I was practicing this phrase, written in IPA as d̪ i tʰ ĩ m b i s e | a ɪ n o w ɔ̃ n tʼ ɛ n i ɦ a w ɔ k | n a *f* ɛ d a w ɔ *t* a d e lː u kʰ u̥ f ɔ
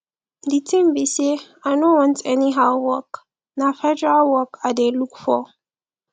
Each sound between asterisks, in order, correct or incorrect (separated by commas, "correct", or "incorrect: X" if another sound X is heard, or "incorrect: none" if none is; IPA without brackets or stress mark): correct, incorrect: k